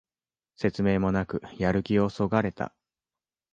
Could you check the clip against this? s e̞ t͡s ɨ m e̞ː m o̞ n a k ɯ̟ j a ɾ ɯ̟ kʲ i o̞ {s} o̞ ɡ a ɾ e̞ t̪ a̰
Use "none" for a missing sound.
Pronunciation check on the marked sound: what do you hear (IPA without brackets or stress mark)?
s